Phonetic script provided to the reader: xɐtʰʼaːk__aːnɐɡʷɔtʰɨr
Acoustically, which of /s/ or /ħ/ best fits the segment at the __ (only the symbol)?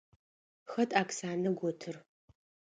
s